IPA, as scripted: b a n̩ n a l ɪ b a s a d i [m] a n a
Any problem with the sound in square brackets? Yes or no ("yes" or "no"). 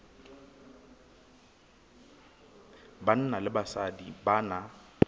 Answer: yes